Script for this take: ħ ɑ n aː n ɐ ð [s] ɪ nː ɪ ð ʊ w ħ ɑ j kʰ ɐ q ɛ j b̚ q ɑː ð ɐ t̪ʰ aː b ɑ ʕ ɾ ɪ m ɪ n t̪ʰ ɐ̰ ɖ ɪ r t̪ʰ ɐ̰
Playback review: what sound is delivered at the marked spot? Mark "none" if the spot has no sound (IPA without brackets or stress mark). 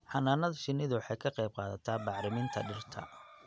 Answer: ʃ